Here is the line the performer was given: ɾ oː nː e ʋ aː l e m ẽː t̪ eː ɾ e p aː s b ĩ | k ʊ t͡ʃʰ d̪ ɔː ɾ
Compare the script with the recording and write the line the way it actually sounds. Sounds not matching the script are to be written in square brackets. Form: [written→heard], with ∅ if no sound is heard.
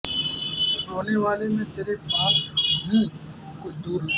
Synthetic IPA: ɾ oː [nː→n] e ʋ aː l e m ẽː t̪ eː ɾ e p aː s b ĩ | k ʊ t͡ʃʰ d̪ [ɔː→uː] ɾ